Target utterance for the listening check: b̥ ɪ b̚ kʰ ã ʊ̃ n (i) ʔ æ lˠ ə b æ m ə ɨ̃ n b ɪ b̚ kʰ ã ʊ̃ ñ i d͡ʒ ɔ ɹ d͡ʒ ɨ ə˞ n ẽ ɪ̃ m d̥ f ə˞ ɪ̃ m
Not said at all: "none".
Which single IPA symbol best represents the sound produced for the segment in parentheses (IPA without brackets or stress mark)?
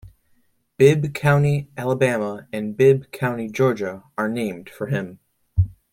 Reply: i